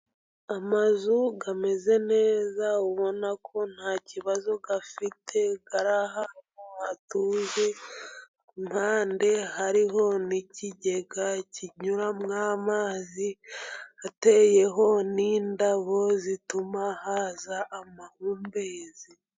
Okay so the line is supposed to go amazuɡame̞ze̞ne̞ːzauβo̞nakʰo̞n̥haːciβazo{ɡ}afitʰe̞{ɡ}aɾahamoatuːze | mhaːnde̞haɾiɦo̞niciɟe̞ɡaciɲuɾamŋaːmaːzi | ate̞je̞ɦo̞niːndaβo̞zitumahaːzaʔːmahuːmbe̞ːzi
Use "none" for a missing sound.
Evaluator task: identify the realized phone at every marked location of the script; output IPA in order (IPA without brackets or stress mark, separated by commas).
ɡ, ɡ